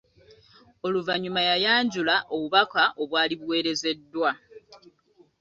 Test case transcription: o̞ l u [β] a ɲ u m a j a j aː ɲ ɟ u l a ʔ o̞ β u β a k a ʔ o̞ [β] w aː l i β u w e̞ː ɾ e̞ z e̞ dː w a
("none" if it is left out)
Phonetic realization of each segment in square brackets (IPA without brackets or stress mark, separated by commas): v, β